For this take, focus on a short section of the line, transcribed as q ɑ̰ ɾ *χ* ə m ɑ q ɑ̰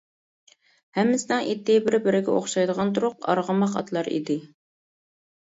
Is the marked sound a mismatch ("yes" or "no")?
yes